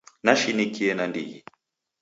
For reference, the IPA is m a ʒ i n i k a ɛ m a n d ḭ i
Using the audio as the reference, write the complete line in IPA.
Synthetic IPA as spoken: n a ʃ i n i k i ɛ n a n d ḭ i